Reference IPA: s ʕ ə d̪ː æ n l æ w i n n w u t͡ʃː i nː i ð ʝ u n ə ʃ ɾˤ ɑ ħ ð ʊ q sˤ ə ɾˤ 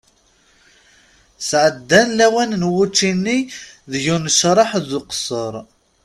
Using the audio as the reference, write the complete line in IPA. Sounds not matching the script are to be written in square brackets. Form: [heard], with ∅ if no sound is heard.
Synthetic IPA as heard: s ʕ ə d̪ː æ n l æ w [æ] n n w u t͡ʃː i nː i ð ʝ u n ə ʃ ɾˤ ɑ ħ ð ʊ q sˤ ə ɾˤ